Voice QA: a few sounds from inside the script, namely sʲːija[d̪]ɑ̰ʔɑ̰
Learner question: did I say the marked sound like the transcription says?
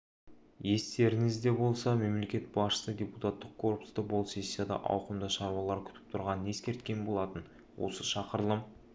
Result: yes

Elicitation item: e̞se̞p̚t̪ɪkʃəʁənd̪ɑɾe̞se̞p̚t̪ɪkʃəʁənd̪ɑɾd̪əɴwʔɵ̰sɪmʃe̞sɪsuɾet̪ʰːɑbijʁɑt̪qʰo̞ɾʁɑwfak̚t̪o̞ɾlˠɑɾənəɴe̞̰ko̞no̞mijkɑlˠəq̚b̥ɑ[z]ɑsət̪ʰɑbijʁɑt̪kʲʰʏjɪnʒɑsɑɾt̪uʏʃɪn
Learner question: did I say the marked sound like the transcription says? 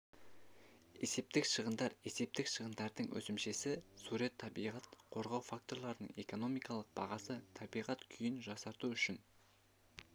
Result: no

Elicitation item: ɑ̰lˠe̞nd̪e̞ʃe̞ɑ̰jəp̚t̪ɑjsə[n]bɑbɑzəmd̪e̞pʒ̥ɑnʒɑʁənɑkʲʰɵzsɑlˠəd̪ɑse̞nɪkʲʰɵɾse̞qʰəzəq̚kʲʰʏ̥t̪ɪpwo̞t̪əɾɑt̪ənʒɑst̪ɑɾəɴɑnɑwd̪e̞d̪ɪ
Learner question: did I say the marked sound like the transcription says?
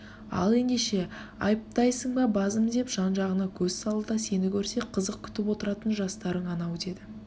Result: no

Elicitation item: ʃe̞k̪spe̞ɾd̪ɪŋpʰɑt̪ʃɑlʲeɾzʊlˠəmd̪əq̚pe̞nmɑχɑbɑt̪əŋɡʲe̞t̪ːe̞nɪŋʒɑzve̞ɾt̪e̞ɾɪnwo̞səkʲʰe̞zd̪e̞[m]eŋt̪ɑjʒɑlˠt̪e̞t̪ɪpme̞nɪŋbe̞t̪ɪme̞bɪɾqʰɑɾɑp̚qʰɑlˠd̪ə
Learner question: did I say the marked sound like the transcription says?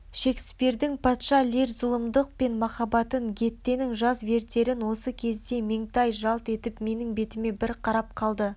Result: yes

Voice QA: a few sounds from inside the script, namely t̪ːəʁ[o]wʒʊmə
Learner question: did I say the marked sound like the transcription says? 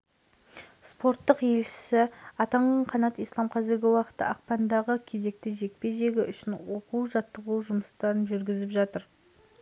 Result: no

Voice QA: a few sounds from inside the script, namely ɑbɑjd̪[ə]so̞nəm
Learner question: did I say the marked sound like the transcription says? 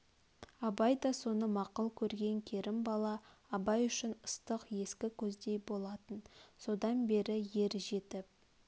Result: no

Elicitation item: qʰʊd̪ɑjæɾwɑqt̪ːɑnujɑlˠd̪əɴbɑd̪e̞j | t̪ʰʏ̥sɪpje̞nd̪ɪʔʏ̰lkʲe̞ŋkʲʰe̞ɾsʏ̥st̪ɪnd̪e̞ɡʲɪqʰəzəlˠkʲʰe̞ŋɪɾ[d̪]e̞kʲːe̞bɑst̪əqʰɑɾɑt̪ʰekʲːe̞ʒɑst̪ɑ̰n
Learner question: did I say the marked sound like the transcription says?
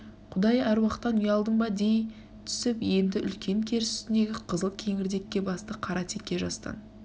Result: yes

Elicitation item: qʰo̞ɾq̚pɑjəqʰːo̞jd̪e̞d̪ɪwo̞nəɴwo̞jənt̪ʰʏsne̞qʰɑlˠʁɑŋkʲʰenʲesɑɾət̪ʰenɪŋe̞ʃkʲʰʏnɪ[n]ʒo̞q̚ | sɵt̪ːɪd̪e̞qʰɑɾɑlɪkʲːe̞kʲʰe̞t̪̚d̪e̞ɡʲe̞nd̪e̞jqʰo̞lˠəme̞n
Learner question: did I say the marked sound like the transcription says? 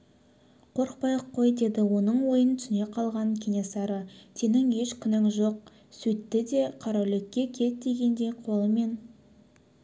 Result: no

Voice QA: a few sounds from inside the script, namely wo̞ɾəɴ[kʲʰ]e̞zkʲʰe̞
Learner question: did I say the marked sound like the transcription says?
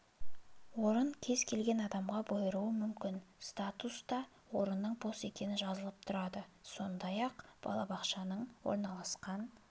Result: yes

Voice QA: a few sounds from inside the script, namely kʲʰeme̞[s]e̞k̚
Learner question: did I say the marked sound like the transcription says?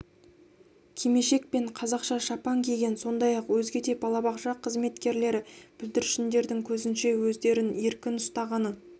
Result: no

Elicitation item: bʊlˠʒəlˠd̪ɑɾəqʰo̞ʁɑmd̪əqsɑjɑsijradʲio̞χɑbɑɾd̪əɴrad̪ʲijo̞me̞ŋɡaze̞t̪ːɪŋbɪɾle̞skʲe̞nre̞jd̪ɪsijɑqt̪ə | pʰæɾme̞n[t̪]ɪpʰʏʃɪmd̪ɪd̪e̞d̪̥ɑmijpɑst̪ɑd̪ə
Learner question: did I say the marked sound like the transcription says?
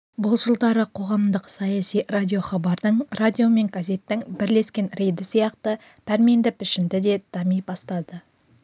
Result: no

